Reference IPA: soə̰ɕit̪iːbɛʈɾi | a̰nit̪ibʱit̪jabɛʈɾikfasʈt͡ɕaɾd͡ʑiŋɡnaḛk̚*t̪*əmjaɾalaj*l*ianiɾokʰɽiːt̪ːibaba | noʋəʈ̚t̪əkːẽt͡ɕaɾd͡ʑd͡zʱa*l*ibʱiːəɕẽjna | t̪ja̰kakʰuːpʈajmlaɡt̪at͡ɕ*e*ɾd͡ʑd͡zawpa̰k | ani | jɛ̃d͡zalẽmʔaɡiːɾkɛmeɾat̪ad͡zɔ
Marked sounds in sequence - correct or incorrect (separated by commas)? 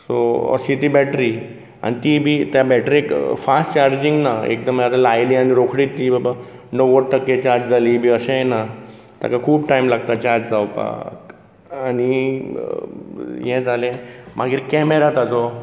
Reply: incorrect, correct, correct, incorrect